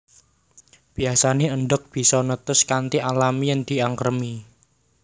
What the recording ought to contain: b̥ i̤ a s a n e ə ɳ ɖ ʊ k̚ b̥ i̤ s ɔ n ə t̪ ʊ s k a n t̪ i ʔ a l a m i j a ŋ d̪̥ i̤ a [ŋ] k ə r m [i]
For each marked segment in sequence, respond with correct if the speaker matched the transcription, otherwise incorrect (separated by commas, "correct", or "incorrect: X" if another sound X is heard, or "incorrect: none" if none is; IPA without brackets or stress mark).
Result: correct, correct